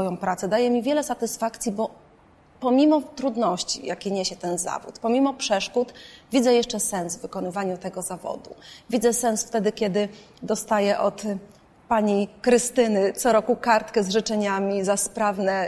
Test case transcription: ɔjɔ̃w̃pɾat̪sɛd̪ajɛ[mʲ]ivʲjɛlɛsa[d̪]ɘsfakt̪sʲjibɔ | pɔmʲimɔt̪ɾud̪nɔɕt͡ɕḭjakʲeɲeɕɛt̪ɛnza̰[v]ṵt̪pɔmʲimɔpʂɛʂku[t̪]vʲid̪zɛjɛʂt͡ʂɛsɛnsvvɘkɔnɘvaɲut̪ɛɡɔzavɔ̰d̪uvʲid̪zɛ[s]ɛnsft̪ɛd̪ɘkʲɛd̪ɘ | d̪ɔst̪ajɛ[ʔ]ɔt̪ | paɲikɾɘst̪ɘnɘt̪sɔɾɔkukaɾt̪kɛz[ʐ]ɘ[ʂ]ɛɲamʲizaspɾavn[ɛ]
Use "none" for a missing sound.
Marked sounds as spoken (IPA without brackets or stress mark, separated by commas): mʲ, t̪, v, t̪, s, ʔ, ʐ, t͡ʂ, ɛ